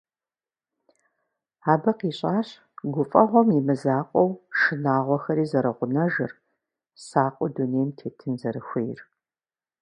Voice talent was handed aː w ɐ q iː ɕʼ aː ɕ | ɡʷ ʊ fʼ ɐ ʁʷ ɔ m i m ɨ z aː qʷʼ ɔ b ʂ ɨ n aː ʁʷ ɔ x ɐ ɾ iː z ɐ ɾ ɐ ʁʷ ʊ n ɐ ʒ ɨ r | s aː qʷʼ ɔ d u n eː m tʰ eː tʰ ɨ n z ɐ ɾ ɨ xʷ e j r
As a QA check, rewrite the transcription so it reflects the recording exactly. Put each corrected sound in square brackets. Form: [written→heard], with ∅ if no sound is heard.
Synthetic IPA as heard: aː [w→b] ɐ q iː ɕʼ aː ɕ | ɡʷ ʊ fʼ ɐ ʁʷ ɔ m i m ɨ z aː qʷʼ ɔ [b→w] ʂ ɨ n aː ʁʷ ɔ x ɐ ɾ iː z ɐ ɾ ɐ ʁʷ ʊ n ɐ ʒ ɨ r | s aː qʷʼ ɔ d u n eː m tʰ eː tʰ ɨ n z ɐ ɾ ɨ xʷ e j r